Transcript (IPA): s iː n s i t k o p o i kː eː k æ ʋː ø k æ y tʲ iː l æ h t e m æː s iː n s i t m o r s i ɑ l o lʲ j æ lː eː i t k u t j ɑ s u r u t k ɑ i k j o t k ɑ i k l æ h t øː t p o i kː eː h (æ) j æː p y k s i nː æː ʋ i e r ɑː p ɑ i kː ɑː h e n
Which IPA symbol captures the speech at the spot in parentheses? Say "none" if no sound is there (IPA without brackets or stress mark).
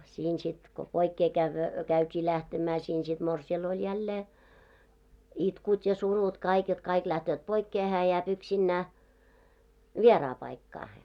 æː